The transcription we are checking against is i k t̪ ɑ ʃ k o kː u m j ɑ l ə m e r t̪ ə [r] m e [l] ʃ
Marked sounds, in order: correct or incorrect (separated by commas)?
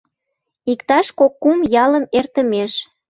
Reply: incorrect, incorrect